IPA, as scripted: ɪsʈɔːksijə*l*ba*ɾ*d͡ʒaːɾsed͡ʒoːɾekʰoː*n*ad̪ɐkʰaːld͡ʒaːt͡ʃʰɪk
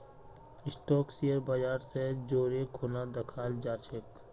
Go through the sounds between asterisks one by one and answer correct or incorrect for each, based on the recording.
incorrect, incorrect, correct

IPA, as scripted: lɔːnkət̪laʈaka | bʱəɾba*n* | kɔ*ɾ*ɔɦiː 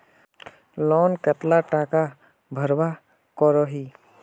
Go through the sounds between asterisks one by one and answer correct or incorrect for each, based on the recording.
incorrect, correct

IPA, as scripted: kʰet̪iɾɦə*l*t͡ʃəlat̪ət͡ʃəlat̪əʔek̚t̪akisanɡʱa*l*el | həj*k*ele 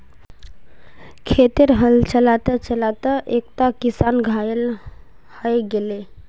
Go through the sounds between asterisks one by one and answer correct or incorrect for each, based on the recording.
correct, incorrect, incorrect

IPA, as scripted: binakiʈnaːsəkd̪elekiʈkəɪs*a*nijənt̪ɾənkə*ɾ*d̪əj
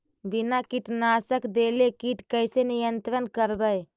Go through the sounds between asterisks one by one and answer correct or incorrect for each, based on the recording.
incorrect, correct

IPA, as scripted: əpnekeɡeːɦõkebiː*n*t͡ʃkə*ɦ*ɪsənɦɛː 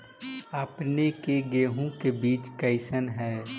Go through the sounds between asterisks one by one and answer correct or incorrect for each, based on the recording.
incorrect, incorrect

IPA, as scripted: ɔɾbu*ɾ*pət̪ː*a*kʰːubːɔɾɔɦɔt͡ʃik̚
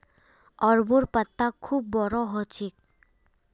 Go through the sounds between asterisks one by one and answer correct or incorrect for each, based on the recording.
correct, correct

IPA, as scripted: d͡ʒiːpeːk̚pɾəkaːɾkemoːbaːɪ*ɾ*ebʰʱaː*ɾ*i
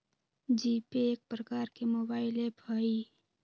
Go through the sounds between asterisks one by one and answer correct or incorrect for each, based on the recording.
incorrect, incorrect

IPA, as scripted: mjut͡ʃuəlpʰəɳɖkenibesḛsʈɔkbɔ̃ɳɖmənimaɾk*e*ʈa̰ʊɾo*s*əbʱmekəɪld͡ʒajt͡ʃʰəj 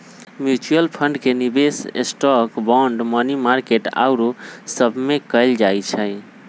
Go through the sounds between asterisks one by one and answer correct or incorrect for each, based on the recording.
correct, correct

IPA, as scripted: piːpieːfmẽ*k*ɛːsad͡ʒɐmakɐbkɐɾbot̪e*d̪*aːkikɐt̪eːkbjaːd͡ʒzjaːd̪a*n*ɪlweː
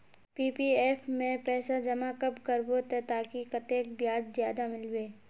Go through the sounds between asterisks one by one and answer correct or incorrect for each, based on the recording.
incorrect, incorrect, incorrect

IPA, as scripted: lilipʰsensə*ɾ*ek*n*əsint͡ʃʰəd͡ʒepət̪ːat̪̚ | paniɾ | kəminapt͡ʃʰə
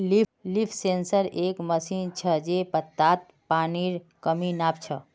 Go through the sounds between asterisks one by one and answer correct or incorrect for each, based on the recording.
correct, incorrect

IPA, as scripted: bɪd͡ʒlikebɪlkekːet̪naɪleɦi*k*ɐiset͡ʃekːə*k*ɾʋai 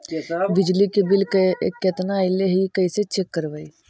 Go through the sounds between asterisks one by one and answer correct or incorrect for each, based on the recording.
correct, incorrect

